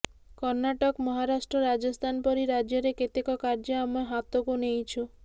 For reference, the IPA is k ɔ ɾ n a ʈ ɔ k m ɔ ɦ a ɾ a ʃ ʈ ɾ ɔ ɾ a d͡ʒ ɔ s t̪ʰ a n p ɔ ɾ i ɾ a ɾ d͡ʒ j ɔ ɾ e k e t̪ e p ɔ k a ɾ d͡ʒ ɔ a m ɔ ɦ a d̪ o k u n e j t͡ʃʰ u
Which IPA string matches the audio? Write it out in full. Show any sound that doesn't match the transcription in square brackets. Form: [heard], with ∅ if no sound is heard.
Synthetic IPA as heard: k ɔ ɾ n a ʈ ɔ k m ɔ ɦ a ɾ a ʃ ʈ ɾ ɔ ɾ a d͡ʒ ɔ s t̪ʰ a n p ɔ ɾ i ɾ a [∅] d͡ʒ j ɔ ɾ e k e t̪ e [k] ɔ k a ɾ d͡ʒ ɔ a m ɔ ɦ a [t̪] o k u n e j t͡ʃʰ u